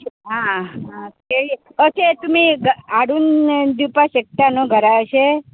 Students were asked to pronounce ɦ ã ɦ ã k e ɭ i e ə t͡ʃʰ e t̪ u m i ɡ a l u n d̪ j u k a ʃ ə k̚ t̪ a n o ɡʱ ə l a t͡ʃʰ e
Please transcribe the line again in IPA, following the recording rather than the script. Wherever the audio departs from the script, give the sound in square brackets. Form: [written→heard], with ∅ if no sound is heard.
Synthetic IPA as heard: ɦ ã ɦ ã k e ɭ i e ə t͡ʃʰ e t̪ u m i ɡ a [l→ɽ] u n d̪ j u [k→p] a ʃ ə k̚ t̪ a n o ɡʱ ə [l→ɾ] a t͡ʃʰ e